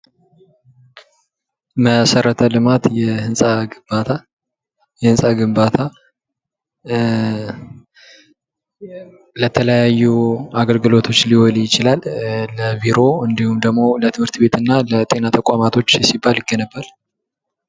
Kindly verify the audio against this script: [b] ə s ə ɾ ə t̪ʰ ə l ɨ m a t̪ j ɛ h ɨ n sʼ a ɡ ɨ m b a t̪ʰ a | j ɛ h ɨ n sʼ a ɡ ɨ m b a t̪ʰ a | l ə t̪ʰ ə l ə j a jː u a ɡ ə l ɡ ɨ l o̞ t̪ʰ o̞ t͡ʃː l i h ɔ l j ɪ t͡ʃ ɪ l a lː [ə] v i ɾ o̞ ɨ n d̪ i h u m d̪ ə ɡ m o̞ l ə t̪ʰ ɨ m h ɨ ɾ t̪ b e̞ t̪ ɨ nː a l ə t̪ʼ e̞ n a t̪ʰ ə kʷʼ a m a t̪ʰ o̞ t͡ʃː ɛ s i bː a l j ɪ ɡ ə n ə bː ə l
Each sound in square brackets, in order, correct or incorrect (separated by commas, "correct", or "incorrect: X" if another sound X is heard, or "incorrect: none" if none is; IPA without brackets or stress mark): incorrect: m, correct